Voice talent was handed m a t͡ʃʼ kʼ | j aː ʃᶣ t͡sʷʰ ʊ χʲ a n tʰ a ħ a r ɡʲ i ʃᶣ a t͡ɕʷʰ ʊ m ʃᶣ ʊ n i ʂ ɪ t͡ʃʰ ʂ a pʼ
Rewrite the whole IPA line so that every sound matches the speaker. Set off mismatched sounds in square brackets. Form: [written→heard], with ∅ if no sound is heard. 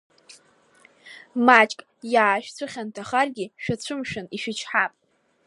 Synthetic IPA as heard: m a t͡ʃʼ kʼ | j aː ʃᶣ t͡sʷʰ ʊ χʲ a n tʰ a [ħ→χ] a r ɡʲ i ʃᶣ a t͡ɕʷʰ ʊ m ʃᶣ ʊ n i [ʂ→ʃ] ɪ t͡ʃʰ [ʂ→ħ] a pʼ